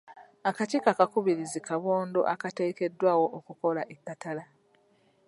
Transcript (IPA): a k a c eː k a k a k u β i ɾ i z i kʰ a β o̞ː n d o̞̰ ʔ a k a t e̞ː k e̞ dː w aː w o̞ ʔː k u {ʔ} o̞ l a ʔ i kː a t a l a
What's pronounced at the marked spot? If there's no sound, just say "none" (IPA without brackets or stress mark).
k